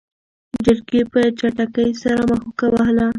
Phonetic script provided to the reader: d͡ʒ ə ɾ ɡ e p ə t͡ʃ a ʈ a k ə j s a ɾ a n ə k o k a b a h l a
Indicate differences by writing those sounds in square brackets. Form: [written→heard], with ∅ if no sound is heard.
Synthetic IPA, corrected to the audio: d͡ʒ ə ɾ ɡ e p ə t͡ʃ a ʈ a k ə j s a ɾ a [n→m] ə [k→x] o k a [b→w] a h l a